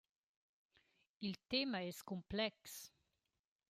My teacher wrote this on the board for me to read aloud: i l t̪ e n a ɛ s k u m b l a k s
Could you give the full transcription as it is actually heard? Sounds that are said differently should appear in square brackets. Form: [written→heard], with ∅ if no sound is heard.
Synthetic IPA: i l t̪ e [n→m] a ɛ s k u m [b→p] l [a→ɛ] k s